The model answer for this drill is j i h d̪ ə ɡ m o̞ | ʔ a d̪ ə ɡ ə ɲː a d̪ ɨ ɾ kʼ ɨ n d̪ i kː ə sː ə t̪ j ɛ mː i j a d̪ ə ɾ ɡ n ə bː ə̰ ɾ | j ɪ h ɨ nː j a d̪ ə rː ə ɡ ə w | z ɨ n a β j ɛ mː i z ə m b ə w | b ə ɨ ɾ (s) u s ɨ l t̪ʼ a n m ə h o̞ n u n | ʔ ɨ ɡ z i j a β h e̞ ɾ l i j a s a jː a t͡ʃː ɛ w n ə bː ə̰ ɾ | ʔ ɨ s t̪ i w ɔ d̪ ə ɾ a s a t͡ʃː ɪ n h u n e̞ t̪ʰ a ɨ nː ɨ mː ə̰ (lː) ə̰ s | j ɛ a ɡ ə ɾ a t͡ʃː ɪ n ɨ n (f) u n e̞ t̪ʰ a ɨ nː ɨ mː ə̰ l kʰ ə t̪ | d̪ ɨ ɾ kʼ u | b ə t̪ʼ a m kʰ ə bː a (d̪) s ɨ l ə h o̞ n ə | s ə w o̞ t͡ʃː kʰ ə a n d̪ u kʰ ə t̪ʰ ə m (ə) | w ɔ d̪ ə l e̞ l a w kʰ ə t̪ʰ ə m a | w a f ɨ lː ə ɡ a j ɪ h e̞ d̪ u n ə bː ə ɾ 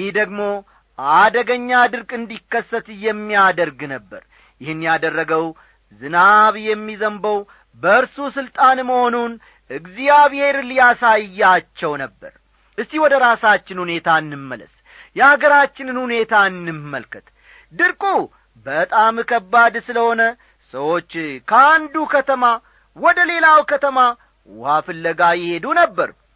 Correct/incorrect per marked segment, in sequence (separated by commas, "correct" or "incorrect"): correct, incorrect, incorrect, correct, incorrect